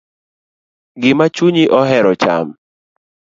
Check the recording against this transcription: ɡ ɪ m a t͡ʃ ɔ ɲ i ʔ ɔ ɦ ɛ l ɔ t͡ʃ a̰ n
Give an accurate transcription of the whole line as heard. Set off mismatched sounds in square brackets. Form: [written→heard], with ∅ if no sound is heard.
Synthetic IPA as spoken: ɡ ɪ m a t͡ʃ [ɔ→u] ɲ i ʔ ɔ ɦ ɛ [l→ɾ] ɔ t͡ʃ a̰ [n→m]